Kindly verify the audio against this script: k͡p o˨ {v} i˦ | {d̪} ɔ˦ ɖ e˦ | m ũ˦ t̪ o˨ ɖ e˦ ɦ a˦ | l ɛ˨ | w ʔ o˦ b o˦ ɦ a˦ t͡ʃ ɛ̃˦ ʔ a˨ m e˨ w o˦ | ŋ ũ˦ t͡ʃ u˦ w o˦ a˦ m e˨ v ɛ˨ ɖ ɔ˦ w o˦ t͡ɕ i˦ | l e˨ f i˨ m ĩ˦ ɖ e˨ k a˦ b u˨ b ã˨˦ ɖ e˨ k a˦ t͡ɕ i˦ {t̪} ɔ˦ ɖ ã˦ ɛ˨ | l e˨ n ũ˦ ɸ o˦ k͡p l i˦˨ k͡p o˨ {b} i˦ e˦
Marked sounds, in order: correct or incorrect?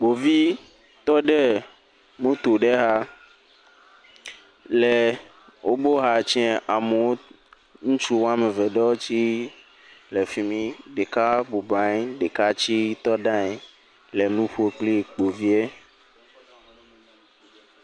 correct, incorrect: t̪, correct, incorrect: v

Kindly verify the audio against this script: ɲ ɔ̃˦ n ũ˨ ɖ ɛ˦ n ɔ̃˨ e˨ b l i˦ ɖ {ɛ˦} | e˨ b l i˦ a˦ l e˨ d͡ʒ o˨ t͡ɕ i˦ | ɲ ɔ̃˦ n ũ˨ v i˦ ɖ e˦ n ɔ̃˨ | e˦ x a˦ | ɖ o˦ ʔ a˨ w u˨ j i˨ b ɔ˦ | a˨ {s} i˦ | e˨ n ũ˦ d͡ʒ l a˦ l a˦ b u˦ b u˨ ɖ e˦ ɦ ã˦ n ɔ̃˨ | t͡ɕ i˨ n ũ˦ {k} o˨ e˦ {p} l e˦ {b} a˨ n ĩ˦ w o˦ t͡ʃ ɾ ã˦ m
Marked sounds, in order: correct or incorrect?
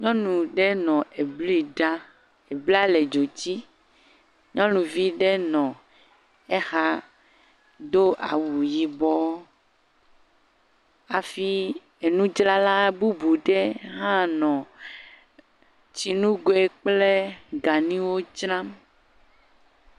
incorrect: a˦, incorrect: f, incorrect: ɡ, incorrect: k͡p, incorrect: ɡ

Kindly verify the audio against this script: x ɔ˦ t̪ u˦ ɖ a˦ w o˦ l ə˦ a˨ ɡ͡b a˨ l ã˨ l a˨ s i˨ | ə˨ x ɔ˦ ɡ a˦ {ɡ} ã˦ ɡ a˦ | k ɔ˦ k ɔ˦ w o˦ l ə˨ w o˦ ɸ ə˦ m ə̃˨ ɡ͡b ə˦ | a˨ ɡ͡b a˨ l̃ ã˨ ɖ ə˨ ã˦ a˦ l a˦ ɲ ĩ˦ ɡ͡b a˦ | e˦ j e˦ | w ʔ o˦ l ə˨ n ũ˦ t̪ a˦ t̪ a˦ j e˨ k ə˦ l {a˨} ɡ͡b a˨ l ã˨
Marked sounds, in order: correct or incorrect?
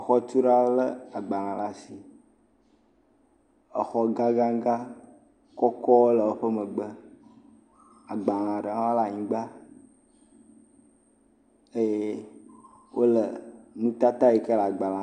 correct, correct

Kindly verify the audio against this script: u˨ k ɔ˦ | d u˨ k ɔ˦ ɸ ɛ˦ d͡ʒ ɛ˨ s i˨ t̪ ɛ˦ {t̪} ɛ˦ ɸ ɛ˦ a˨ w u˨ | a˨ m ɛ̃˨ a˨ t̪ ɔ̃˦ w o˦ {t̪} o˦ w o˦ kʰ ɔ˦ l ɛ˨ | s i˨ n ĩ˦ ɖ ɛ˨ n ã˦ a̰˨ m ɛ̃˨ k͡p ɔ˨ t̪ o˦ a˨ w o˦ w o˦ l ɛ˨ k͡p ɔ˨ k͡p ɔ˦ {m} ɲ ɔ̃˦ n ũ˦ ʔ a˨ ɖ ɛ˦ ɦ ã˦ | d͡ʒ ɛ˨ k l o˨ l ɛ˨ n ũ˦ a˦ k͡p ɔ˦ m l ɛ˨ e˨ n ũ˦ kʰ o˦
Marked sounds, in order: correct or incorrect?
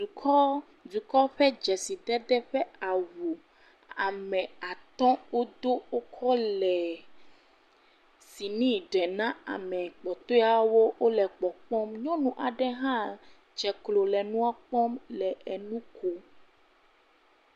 incorrect: d̪, incorrect: d̪, correct

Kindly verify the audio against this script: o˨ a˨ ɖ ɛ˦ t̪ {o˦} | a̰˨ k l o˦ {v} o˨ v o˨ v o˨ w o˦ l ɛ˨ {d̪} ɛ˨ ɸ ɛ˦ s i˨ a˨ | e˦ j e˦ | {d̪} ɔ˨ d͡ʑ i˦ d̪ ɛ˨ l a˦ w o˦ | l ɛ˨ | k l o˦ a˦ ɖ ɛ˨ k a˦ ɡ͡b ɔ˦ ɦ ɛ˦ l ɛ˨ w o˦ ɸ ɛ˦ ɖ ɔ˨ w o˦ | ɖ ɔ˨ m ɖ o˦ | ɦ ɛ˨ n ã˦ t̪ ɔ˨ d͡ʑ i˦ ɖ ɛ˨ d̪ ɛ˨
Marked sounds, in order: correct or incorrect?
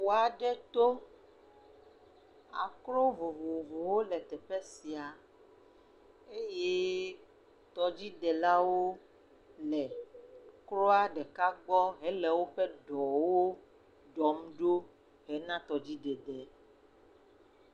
correct, correct, incorrect: t̪, incorrect: t̪

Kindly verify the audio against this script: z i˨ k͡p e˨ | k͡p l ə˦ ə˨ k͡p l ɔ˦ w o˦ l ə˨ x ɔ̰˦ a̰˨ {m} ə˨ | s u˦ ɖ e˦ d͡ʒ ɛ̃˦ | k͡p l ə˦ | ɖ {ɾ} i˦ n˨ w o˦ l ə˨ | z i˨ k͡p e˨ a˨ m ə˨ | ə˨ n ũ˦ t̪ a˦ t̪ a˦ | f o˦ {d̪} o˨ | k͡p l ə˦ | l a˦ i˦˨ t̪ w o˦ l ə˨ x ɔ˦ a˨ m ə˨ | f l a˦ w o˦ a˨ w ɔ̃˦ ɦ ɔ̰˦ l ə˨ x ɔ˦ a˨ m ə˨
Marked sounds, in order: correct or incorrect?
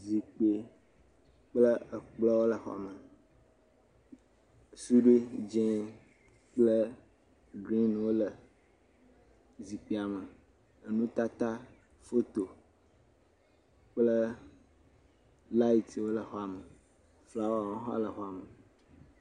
correct, correct, incorrect: t̪

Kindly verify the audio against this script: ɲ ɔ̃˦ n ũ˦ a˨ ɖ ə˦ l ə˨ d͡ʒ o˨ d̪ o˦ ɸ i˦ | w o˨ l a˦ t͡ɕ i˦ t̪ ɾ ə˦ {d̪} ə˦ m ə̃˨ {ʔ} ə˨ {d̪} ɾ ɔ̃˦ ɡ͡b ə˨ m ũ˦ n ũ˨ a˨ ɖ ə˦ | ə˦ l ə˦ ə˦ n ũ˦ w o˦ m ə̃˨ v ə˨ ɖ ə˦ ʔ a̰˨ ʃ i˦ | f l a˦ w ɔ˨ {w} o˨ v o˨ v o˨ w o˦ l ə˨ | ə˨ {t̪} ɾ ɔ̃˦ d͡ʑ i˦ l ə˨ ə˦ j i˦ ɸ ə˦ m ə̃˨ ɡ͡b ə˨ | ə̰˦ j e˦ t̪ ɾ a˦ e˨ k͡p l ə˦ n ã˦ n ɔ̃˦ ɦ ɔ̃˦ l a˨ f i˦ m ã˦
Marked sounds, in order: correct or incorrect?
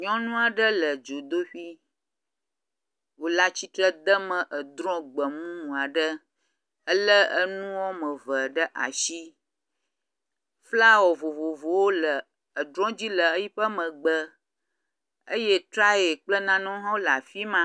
correct, correct, correct, incorrect: v, incorrect: d̪

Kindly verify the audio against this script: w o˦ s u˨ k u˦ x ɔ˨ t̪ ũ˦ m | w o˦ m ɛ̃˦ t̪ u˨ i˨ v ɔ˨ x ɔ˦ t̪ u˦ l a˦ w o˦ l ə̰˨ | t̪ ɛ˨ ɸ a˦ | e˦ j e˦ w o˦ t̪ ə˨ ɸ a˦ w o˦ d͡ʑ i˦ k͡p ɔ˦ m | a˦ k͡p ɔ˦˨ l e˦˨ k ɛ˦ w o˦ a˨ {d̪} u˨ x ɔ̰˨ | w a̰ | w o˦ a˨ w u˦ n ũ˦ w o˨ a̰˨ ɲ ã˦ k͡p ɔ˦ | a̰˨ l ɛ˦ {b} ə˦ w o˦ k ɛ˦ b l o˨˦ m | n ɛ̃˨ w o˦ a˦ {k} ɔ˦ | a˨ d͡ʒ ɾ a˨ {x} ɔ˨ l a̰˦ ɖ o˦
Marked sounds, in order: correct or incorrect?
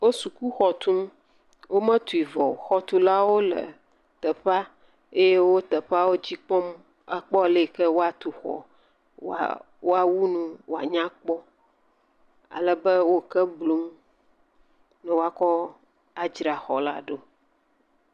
incorrect: t̪, correct, correct, correct

